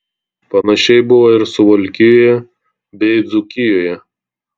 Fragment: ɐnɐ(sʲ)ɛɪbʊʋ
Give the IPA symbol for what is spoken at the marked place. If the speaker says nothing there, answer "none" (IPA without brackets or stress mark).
ʃʲ